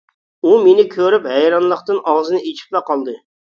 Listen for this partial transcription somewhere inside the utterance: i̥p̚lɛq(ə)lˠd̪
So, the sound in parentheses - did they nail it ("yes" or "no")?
no